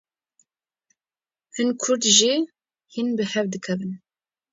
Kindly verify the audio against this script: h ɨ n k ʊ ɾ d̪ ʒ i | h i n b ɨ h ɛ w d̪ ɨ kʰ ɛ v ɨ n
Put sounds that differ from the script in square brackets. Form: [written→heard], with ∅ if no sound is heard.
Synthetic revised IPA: h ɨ n [k→kʰ] ʊ ɾ d̪ ʒ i | h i n b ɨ h ɛ [w→v] d̪ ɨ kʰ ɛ v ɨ n